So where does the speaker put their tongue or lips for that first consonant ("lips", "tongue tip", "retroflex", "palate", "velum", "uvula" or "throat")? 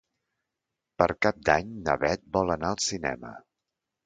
lips